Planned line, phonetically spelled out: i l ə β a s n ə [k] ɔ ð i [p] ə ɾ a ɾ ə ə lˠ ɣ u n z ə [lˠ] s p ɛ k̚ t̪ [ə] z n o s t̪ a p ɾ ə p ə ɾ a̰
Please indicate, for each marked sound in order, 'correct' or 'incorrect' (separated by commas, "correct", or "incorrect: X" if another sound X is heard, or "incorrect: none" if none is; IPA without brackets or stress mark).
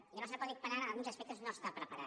incorrect: p, correct, incorrect: none, correct